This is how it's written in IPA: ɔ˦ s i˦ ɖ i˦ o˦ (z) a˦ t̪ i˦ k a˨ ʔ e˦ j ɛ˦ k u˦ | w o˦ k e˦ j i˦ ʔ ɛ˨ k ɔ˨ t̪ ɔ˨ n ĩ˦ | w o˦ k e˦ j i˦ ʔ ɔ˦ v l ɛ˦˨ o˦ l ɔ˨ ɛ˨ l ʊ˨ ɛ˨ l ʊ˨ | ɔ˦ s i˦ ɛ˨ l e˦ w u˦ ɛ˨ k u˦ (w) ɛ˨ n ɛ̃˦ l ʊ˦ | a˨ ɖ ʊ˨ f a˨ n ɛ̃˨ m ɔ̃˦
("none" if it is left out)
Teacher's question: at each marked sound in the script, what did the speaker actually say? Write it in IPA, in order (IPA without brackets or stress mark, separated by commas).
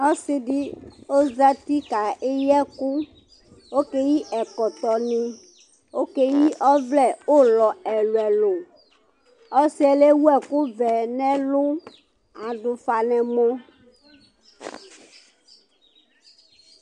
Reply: z, v